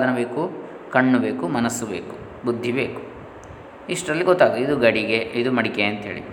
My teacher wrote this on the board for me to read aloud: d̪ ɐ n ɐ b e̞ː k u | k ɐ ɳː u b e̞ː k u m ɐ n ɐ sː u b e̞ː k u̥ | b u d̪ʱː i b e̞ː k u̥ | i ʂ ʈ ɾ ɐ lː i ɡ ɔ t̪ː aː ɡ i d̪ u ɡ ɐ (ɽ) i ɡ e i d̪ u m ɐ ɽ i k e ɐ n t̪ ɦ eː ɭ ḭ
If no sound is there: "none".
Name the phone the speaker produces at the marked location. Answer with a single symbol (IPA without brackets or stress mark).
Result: ɽ